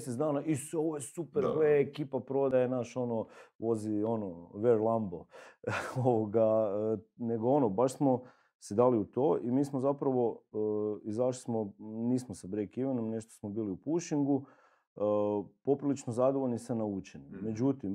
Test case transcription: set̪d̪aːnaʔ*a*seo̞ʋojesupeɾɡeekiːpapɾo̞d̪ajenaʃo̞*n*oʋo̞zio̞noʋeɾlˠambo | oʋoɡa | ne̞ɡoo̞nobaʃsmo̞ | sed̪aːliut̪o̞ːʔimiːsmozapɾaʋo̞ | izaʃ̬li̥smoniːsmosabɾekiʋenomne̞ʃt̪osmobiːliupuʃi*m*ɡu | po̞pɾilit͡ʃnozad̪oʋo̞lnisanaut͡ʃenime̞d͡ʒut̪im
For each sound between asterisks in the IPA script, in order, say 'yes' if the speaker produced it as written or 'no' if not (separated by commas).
no, yes, no